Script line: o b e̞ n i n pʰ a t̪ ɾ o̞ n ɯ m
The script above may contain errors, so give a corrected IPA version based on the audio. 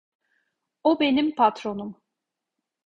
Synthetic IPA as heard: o b e̞ n i m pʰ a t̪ ɾ o̞ n u m